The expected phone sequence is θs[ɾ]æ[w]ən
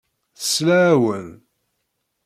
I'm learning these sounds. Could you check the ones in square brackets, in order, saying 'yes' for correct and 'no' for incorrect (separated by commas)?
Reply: no, yes